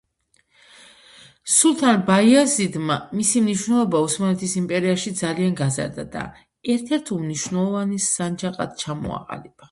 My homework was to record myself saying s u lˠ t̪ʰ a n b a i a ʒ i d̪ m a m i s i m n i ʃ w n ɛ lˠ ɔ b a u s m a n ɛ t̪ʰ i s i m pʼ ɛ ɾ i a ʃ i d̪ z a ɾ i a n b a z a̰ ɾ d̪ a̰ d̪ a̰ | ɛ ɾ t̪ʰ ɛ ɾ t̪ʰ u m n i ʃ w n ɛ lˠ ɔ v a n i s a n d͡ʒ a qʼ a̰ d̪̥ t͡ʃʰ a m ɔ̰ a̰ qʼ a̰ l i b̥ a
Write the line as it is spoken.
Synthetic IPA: s u lˠ t̪ʰ a n b a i a z i d̪ m a m i s i m n i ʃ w n ɛ lˠ ɔ b a u s m a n ɛ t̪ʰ i s i m pʼ ɛ ɾ i a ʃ i d̪ z a l i a n ɡ a z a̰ ɾ d̪ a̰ d̪ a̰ | ɛ ɾ t̪ʰ ɛ ɾ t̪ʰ u m n i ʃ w n ɛ lˠ ɔ v a n i s a n d͡ʒ a qʼ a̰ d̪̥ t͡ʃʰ a m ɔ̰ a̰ qʼ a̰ l i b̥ a